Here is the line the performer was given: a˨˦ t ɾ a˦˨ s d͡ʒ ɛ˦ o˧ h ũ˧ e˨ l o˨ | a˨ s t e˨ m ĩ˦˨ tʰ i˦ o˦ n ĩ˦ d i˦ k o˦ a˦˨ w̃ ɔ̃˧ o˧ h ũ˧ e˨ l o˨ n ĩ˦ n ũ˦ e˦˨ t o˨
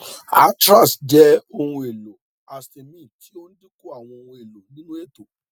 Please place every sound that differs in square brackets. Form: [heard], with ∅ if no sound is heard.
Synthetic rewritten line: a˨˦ t ɾ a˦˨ s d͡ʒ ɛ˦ o˧ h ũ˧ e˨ l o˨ | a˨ s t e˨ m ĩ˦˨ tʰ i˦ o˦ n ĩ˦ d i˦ k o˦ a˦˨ w̃ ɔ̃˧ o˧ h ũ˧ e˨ l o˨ n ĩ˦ n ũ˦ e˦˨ t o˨